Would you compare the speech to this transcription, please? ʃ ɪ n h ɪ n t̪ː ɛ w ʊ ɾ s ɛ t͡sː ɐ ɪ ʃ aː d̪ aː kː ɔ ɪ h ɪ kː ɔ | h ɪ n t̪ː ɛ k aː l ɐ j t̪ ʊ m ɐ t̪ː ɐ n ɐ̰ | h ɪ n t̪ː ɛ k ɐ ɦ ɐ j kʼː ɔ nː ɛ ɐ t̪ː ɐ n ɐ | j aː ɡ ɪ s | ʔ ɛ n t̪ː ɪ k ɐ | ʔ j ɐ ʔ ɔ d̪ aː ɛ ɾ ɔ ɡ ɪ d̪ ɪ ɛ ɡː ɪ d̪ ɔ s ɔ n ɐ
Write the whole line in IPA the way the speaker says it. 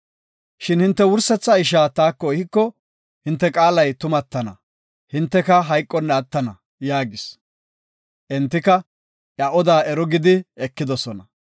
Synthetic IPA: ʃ ɪ n h ɪ n t̪ː ɛ w ʊ ɾ s ɛ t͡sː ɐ ɪ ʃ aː t̪ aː kː ɔ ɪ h ɪ kː ɔ | h ɪ n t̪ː ɛ kʼ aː l ɐ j t̪ ʊ m ɐ t̪ː ɐ n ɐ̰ | h ɪ n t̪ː ɛ k ɐ ɦ ɐ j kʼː ɔ nː ɛ ɐ t̪ː ɐ n ɐ | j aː ɡ ɪ s | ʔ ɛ n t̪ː ɪ k ɐ | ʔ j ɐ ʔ ɔ d̪ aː ɛ ɾ ɔ ɡ ɪ d̪ ɪ ɛ kː ɪ d̪ ɔ s ɔ n ɐ

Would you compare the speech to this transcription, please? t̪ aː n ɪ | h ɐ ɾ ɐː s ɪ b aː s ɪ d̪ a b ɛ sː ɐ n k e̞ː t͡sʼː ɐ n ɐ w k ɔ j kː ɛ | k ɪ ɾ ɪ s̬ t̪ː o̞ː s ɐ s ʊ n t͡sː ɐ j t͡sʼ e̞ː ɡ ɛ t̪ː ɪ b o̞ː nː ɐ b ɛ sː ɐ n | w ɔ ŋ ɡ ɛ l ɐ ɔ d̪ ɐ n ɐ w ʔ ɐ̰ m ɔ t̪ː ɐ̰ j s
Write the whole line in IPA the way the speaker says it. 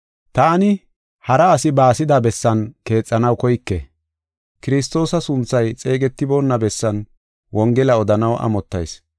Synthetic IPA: t̪ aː n ɪ | h ɐ ɾ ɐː s ɪ b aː s ɪ d̪ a b ɛ sː ɐ n k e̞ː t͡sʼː ɐ n ɐ w k ɔ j kː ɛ | k ɪ ɾ ɪ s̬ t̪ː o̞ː s ɐ s ʊ n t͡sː ɐ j t͡sʼ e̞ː ɡ ɛ t̪ː ɪ b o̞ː nː ɐ b ɛ sː ɐ n | w ɔ ŋ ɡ ɛ l ɐ ɔ d̪ ɐ n ɐ w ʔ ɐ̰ m ɔ t̪ː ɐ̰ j s

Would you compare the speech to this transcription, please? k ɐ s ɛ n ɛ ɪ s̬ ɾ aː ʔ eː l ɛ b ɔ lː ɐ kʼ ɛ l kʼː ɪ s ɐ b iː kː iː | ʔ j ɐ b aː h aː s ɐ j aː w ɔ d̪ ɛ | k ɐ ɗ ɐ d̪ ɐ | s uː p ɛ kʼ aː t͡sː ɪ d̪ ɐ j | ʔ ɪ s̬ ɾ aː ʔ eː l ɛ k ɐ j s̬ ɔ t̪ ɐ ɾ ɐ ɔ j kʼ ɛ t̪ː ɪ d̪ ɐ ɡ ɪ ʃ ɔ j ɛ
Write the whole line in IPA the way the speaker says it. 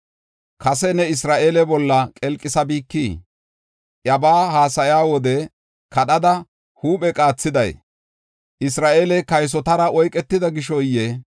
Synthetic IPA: k ɐ s ɛ n ɛ ɪ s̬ ɾ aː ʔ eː l ɛ b ɔ lː ɐ kʼ ɛ l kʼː ɪ s ɐ b iː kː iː | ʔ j ɐ b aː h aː s ɐ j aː w ɔ d̪ ɛ | k ɐ ɗ ɐ d̪ ɐ | h uː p ɛ kʼ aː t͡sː ɪ d̪ ɐ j | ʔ ɪ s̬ ɾ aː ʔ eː l ɛ k ɐ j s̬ ɔ t̪ ɐ ɾ ɐ ɔ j kʼ ɛ t̪ː ɪ d̪ ɐ ɡ ɪ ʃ ɔ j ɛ

